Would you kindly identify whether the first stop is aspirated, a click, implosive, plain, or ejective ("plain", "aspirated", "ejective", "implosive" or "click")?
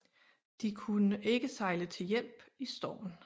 plain